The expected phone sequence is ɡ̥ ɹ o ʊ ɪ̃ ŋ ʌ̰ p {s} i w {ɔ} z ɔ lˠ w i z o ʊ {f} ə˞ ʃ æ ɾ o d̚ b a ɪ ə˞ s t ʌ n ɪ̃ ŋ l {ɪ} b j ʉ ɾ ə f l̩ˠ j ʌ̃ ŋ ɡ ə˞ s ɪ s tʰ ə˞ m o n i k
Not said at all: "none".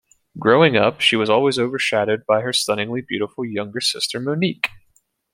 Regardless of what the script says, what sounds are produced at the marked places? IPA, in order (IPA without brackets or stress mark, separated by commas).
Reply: ʃ, ʌ, v, i